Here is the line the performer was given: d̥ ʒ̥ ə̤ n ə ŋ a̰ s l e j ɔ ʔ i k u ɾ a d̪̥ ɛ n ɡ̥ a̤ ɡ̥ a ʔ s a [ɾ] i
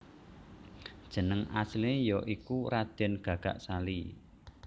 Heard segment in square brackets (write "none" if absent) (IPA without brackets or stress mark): l